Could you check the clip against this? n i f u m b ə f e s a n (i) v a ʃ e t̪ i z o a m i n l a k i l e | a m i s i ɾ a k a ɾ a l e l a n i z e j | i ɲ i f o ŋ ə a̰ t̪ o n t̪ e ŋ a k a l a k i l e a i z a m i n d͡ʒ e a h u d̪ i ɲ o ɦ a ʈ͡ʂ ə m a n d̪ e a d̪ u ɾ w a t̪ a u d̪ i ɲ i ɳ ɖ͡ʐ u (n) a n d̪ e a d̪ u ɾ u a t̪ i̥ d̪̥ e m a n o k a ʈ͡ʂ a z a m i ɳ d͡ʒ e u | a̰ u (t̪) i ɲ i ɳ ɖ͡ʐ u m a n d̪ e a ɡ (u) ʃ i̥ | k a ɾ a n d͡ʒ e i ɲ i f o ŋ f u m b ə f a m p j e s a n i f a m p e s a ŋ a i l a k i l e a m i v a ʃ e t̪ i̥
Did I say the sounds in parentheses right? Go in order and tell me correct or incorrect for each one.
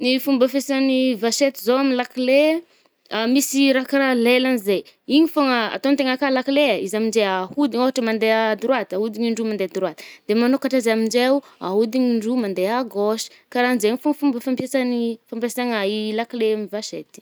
correct, incorrect: m, incorrect: d̪, incorrect: o

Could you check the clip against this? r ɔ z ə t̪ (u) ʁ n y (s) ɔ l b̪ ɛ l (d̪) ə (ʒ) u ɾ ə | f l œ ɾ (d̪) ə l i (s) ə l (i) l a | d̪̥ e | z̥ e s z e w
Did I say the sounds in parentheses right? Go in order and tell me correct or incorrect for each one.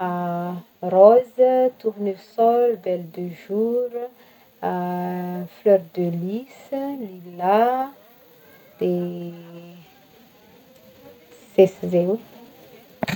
correct, correct, correct, correct, correct, correct, correct

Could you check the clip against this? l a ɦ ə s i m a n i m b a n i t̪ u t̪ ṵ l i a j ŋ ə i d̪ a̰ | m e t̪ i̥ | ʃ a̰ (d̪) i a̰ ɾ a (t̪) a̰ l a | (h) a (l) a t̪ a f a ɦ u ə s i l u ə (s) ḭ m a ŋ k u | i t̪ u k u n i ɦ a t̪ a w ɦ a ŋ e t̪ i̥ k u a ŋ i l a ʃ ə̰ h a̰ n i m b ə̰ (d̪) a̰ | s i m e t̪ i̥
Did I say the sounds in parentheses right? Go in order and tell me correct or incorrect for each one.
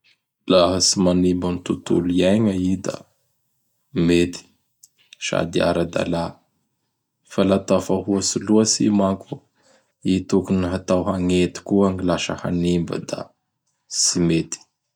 correct, incorrect: d̪, incorrect: f, correct, correct, correct

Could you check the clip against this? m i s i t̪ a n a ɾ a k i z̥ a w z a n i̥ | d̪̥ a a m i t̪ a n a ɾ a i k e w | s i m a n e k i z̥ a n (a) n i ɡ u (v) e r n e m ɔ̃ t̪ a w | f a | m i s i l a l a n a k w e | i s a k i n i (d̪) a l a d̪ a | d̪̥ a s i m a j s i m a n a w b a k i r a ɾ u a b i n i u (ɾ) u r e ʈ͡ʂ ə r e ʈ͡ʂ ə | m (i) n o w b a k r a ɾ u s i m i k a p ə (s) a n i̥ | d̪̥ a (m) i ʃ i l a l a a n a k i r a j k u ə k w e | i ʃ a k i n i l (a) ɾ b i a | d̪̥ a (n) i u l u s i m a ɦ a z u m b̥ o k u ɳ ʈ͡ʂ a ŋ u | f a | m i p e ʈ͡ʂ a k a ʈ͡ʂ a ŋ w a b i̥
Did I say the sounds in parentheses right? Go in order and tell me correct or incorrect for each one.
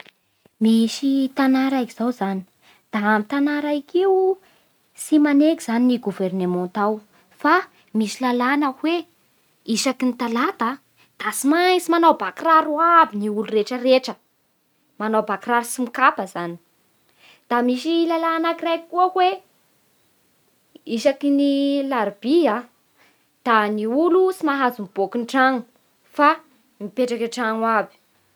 incorrect: i, correct, incorrect: t̪, incorrect: l, incorrect: a, incorrect: z, correct, correct, correct

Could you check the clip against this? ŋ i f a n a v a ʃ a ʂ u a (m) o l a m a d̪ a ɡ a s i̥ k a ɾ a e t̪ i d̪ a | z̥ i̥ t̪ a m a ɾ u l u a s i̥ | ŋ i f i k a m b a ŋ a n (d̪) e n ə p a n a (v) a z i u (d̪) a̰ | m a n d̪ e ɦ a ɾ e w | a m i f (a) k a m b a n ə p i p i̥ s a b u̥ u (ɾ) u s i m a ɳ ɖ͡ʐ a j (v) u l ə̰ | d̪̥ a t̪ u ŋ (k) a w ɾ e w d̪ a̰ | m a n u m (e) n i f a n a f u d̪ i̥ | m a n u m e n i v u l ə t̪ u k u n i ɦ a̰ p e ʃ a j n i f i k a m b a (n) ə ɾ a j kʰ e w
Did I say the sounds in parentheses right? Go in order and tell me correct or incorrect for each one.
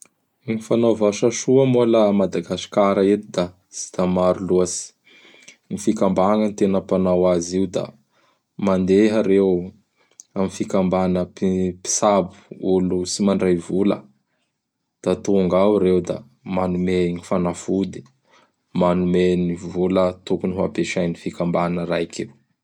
correct, incorrect: t̪, incorrect: w, correct, incorrect: i, incorrect: l, correct, incorrect: ɡ, correct, correct

